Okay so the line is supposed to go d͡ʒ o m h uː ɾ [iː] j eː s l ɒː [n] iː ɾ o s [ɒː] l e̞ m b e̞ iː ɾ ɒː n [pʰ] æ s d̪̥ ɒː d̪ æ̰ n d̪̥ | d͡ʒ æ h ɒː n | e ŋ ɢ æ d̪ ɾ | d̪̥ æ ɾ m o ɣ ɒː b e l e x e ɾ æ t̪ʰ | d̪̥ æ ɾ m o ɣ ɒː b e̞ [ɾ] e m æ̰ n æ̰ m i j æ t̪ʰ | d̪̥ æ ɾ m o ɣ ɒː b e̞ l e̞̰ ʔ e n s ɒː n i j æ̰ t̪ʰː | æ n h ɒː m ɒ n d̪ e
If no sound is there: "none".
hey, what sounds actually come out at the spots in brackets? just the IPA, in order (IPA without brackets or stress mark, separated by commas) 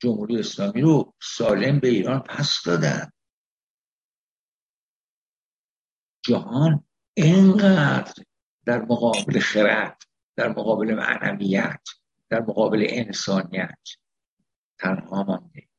i, m, ɒː, pʰ, l